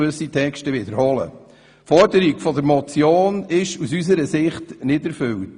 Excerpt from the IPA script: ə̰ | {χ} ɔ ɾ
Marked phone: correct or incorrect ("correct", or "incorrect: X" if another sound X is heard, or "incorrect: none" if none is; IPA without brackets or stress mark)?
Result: incorrect: f